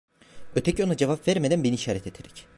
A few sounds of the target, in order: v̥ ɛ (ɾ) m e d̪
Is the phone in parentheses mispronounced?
no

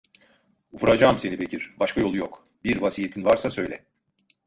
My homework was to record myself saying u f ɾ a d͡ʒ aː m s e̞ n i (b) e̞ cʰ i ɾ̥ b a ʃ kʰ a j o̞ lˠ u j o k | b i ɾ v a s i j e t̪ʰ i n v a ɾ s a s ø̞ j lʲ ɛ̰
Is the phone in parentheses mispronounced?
no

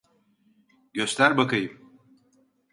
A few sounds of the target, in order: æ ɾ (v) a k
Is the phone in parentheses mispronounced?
yes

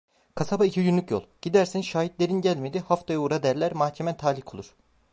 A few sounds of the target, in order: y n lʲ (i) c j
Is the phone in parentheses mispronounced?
yes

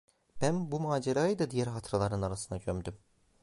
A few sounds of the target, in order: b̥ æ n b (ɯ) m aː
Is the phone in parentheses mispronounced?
yes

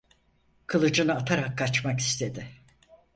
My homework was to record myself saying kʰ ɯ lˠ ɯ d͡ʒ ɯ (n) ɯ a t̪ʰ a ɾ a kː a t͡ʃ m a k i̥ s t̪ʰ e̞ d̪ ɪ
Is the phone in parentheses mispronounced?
no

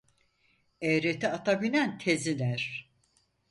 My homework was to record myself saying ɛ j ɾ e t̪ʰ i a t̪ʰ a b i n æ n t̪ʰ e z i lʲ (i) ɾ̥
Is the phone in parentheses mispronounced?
yes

